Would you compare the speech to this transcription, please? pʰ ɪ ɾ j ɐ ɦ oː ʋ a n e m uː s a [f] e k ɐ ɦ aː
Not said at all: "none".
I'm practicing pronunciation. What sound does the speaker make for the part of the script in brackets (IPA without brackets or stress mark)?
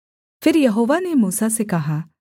s